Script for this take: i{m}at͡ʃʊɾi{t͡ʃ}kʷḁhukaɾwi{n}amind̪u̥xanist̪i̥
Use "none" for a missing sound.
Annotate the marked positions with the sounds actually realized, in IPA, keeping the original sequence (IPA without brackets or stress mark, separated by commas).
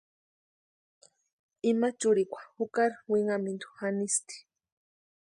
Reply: m, none, ŋ